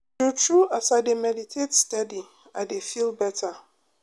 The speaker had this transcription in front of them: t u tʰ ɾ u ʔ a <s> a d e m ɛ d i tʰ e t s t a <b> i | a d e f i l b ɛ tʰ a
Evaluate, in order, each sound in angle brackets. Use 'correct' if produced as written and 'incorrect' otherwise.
correct, incorrect

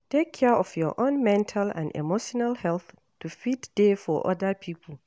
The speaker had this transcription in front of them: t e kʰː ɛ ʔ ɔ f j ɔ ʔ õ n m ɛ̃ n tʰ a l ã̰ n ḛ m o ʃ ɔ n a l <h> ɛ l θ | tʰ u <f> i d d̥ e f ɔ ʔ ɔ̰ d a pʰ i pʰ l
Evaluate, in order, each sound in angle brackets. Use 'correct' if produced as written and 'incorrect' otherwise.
correct, correct

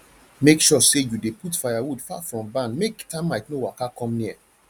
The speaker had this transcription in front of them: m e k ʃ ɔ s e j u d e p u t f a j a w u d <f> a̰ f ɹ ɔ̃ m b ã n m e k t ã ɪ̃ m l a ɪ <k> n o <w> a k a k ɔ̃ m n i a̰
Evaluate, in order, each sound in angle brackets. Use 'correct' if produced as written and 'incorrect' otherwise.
correct, correct, correct

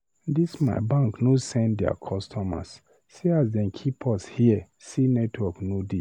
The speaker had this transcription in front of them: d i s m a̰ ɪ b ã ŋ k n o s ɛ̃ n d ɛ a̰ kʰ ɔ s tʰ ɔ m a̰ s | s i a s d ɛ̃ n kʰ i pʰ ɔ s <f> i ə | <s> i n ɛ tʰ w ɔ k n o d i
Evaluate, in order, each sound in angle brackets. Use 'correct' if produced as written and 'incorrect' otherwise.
incorrect, correct

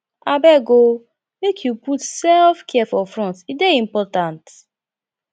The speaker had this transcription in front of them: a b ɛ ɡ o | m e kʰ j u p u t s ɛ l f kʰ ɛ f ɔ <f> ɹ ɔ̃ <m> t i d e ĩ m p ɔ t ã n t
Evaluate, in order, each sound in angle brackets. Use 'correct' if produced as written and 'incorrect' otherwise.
correct, incorrect

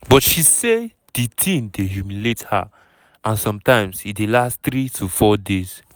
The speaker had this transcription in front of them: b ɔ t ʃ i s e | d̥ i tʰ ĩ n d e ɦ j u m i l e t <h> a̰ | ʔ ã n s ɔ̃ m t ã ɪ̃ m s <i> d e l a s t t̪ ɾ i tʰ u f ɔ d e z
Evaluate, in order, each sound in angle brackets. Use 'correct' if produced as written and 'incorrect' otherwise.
correct, correct

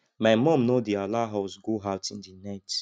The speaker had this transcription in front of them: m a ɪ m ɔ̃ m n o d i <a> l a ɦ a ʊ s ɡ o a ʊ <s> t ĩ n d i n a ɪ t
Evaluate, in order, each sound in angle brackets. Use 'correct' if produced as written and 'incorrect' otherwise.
correct, incorrect

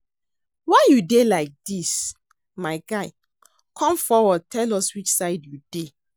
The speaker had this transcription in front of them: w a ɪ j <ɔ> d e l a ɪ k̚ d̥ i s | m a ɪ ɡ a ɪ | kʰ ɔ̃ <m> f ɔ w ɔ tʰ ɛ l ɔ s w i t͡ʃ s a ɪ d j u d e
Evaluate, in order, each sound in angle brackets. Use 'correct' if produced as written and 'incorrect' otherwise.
incorrect, correct

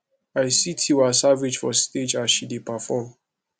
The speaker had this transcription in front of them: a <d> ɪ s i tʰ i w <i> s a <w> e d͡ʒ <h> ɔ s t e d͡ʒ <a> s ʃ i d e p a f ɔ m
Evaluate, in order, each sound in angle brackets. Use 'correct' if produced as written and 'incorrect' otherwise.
incorrect, incorrect, incorrect, incorrect, correct

